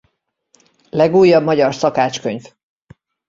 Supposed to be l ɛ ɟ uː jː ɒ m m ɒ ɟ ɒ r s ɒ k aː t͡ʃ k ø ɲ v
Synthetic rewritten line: l ɛ ɡ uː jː ɒ b m ɒ ɟ ɒ r s ɒ k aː t͡ʃ k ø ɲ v